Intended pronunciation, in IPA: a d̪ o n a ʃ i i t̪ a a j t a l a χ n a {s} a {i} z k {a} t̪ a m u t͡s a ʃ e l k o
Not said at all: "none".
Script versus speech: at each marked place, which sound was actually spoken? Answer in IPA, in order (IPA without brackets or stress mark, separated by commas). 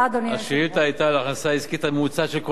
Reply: s, i, i